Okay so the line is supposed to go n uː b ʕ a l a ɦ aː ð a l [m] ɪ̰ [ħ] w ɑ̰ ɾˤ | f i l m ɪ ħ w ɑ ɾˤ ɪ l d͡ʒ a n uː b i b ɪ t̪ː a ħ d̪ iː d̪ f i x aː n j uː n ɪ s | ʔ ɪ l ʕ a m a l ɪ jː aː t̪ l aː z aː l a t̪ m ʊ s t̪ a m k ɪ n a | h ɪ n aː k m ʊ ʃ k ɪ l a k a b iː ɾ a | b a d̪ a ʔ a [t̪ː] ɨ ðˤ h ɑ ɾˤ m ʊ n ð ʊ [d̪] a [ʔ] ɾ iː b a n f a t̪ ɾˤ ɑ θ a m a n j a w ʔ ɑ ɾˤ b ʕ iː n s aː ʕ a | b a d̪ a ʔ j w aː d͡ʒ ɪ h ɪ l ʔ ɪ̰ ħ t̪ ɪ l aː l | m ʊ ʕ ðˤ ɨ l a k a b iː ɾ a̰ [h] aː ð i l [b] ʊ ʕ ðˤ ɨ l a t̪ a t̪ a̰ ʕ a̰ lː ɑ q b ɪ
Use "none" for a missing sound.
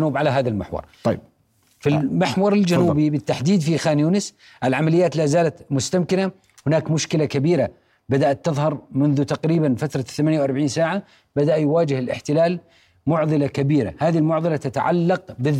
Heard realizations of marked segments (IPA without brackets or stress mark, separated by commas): m, ħ, t̪ː, t̪, q, h, m